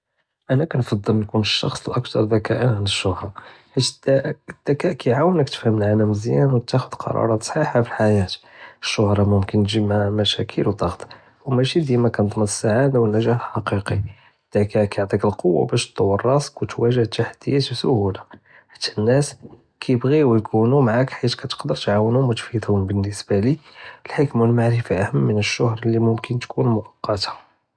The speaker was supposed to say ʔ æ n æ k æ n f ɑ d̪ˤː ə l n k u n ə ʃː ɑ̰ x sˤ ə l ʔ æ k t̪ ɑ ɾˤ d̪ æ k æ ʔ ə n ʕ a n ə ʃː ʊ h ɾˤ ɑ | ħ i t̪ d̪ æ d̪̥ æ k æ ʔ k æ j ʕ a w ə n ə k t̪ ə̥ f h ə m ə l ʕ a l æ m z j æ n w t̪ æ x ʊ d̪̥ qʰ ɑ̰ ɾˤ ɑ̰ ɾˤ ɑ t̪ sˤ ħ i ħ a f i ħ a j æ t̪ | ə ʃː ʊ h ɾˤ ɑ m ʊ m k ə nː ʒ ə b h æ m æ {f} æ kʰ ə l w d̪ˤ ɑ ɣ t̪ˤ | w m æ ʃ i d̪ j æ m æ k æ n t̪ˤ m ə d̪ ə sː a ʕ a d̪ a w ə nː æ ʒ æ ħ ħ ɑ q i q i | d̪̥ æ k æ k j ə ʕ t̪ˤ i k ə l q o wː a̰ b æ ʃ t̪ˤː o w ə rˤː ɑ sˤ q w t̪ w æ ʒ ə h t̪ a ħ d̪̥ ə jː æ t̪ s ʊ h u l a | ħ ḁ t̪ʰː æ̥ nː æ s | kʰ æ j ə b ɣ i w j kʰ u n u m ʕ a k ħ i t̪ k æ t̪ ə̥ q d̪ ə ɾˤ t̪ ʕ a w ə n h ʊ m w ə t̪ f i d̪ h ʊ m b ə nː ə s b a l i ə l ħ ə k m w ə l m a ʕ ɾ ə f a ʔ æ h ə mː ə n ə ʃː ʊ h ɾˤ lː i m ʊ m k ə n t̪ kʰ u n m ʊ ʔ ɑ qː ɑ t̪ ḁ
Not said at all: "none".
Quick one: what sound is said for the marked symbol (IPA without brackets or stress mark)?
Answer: ʃ